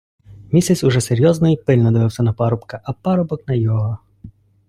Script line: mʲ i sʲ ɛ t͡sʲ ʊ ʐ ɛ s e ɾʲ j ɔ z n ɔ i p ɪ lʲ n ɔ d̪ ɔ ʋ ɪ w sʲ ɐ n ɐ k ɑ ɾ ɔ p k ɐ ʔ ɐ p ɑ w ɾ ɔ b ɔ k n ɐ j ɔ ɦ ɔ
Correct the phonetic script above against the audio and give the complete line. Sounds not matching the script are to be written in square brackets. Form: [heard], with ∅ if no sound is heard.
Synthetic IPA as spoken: mʲ i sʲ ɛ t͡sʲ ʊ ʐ ɛ s e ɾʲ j ɔ z n ɔ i p ɪ lʲ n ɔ d̪ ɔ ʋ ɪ w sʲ ɐ n ɐ [p] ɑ ɾ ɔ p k ɐ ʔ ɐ p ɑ [∅] ɾ ɔ b ɔ k n ɐ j ɔ ɦ ɔ